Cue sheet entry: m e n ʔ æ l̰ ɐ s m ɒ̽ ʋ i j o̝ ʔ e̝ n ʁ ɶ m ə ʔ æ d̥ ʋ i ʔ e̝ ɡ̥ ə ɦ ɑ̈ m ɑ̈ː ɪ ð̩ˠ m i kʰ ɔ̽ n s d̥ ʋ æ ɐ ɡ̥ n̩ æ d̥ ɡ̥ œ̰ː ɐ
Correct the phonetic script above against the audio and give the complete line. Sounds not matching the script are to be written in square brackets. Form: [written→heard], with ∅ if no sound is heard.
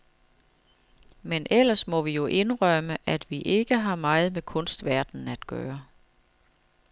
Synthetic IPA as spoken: m e n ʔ [æ→e] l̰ ɐ s m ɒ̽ ʋ i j o̝ ʔ e̝ n ʁ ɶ m ə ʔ æ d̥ ʋ i ʔ e̝ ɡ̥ ə ɦ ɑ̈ m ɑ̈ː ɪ ð̩ˠ m [i→e] kʰ ɔ̽ n s d̥ ʋ æ ɐ [ɡ̥→d̥] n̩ æ d̥ ɡ̥ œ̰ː ɐ